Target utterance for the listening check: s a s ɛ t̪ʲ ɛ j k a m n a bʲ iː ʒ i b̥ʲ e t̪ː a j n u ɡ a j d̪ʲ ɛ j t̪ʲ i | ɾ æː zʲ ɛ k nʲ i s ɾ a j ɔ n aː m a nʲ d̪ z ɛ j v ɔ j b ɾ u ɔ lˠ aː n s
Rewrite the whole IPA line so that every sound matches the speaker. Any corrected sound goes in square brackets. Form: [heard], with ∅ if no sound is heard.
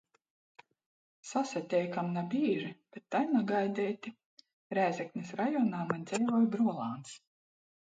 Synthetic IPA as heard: s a s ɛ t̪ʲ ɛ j k a m n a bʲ iː ʒ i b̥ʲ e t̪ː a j n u ɡ a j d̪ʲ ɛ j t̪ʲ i | ɾ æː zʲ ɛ k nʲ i s ɾ a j ɔ n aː m a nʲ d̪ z ɛ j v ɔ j b ɾ u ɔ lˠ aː n s